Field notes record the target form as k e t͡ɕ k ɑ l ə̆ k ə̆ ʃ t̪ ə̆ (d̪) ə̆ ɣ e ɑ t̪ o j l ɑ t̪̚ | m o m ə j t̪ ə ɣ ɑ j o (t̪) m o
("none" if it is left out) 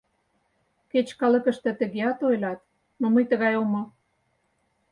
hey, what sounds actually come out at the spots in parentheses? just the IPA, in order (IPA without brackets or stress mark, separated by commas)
t̪, none